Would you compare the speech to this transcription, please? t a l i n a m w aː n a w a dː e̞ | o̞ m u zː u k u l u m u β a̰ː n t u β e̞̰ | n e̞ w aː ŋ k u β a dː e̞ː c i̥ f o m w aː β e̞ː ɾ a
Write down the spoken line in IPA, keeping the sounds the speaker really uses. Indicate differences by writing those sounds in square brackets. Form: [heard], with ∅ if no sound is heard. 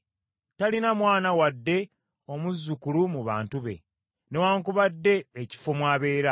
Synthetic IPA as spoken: t a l i n a m w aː n a w a dː e̞ | o̞ m u zː u k u l u m u β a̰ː n t u β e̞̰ | n e̞ w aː ŋ k u β a dː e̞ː c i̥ f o m w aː β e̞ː ɾ a